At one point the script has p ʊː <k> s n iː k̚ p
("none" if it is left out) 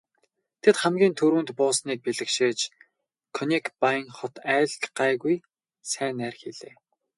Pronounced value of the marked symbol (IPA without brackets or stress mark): none